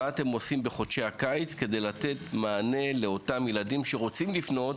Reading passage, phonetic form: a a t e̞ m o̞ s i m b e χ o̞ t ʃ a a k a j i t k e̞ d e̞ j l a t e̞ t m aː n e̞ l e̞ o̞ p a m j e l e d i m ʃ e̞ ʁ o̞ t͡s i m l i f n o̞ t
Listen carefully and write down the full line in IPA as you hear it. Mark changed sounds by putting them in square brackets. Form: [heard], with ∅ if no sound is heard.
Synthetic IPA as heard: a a t e̞ m o̞ s i m b e χ o̞ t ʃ [e] a k a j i [t͡s] k e̞ d e̞ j l a t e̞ t m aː n e̞ l e̞ o̞ [t] a m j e l [a] d i m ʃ e̞ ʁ o̞ t͡s i m l i f n o̞ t